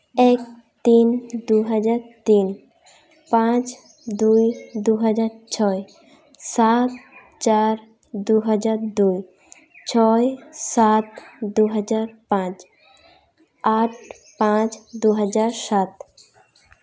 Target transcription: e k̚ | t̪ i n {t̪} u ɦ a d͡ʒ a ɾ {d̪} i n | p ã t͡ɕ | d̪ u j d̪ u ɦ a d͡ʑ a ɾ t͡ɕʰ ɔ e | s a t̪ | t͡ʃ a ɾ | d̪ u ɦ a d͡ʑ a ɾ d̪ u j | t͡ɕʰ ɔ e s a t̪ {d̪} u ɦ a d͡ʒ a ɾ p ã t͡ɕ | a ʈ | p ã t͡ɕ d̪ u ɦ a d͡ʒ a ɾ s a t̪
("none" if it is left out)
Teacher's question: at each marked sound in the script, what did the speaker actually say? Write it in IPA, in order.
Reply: d̪, t̪, d̪

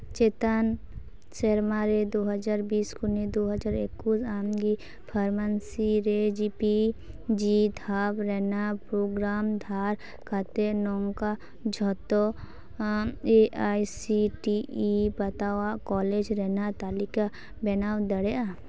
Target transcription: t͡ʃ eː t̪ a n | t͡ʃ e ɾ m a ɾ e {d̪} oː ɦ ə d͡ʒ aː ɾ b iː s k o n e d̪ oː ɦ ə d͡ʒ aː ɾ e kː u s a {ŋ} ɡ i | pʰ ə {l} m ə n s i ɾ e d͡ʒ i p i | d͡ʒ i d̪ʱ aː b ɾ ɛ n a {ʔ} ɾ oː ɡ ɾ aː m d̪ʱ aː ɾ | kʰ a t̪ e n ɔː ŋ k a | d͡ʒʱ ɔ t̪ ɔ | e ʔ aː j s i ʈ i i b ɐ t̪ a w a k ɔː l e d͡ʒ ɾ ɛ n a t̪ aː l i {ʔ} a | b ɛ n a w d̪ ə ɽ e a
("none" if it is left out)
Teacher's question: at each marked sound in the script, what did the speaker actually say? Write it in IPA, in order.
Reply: d̪, m, ɾ, p, k

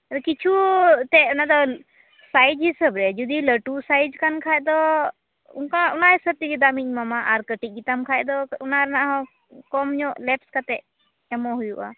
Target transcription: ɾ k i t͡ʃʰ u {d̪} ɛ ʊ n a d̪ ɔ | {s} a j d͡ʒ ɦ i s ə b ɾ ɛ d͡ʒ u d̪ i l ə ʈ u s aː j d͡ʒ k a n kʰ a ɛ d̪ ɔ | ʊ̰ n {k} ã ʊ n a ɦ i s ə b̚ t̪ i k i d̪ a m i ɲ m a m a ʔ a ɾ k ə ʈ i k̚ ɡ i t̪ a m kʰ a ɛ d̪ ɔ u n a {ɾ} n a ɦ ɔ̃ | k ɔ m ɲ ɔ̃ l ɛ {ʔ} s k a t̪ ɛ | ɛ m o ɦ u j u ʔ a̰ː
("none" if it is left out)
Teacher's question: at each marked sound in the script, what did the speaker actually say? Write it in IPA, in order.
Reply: t̪, s, k, ɾ, p

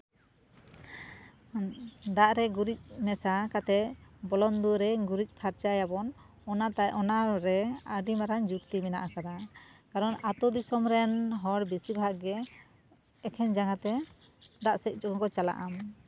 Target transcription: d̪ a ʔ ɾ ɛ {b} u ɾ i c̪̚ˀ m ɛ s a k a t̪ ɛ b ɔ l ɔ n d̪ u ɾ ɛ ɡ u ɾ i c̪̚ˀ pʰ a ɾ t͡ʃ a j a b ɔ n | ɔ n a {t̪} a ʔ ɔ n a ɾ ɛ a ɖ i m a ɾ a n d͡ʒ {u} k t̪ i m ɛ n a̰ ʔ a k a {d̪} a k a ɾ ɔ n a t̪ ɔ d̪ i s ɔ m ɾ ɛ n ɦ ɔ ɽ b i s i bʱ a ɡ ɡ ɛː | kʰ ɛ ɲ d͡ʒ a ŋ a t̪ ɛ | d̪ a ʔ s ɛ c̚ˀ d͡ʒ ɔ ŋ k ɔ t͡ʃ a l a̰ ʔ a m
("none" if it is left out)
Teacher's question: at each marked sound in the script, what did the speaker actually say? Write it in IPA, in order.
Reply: ɡ, t̪, u, d̪

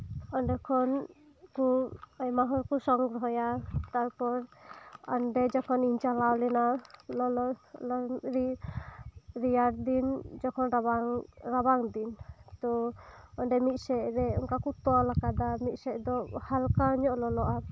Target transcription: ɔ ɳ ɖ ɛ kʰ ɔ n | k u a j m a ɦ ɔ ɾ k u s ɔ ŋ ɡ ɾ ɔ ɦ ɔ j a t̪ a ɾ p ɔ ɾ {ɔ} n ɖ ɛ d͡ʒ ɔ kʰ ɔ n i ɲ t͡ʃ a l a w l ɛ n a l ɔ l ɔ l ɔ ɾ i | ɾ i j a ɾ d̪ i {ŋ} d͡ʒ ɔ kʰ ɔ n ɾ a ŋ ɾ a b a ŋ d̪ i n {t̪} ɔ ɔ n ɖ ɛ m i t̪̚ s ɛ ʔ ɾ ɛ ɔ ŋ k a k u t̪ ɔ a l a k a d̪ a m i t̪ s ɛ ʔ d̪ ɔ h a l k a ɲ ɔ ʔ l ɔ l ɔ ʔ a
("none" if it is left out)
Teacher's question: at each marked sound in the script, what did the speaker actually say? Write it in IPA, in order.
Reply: ɔ, n, t̪

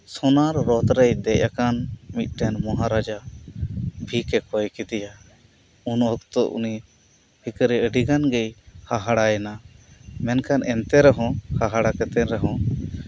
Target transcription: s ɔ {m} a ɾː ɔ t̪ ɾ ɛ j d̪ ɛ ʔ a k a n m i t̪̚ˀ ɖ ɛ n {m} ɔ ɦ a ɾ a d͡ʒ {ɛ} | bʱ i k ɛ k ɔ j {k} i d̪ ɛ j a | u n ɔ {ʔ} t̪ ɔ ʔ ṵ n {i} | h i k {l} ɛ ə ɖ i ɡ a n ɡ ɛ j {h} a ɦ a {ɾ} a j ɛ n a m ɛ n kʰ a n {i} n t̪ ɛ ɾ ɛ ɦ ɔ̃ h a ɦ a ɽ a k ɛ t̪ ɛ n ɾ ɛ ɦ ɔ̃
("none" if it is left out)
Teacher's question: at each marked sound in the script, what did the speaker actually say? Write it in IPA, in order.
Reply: n, m, a, k, k, i, ɾ, h, ɽ, ɛ

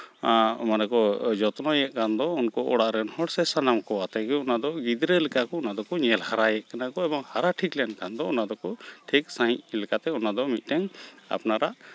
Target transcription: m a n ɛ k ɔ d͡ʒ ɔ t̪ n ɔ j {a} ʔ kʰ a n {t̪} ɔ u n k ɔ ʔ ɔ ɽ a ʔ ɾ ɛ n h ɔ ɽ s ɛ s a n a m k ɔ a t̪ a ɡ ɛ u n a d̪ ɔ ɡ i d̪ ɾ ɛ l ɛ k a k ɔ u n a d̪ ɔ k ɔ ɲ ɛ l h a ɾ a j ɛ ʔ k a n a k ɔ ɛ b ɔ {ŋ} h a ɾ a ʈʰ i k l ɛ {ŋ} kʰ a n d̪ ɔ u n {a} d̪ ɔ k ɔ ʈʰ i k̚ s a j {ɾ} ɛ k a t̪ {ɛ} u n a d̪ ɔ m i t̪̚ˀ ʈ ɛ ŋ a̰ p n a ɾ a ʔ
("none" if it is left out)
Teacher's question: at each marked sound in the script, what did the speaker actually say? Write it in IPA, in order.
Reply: ɛ, d̪, ŋ, n, a, l, ɛ

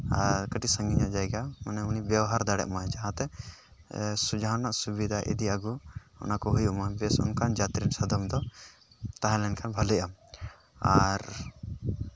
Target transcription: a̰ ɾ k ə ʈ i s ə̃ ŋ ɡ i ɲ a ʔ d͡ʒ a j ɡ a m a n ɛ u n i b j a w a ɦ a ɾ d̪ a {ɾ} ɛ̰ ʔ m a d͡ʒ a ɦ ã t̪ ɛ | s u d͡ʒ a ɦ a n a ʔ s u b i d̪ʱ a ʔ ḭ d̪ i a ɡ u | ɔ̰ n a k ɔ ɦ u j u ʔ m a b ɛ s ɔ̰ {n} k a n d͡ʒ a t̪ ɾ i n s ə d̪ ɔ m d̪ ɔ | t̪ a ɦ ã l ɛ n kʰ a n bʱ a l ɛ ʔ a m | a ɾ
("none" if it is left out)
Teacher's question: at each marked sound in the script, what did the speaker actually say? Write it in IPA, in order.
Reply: ɽ, n

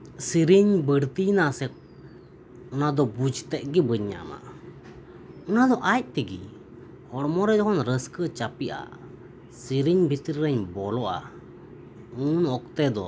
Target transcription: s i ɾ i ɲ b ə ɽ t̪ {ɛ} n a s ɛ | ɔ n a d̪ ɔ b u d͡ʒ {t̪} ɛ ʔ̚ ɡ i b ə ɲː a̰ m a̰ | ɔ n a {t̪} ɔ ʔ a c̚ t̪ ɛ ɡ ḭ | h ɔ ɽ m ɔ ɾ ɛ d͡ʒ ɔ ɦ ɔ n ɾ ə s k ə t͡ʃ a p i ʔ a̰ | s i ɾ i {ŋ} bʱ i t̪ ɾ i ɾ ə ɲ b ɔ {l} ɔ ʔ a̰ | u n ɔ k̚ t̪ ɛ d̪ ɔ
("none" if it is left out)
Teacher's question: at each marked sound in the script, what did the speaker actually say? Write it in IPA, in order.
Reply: i, t̪, d̪, ɲ, l

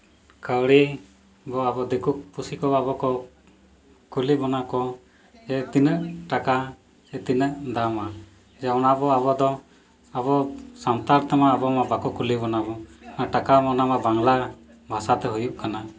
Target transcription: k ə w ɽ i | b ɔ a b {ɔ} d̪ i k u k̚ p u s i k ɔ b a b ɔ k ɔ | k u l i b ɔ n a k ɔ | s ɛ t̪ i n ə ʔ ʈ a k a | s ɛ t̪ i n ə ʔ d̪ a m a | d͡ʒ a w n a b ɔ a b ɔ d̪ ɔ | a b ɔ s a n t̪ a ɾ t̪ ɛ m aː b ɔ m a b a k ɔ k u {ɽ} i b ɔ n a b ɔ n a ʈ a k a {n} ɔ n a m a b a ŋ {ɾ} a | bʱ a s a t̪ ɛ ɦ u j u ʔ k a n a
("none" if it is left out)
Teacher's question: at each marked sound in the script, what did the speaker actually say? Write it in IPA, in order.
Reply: ɔ, l, m, l

